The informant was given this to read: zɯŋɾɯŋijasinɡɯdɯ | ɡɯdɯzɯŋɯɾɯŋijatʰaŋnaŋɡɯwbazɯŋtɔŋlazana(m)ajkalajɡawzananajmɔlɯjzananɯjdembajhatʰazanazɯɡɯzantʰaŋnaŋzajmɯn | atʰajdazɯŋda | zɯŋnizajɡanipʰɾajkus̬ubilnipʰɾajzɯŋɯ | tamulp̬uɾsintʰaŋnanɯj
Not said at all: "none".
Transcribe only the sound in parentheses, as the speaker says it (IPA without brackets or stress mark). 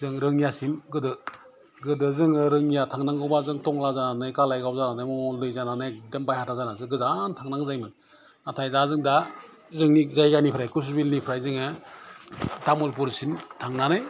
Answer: n